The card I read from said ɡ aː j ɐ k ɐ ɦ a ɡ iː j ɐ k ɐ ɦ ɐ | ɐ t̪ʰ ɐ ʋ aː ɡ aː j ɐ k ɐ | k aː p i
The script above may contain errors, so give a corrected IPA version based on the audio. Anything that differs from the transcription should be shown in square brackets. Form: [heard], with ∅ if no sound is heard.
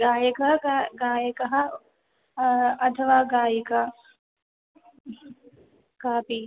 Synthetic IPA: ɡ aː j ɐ k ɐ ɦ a ɡ [aː] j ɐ k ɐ ɦ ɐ | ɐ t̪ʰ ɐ ʋ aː ɡ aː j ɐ k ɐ | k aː p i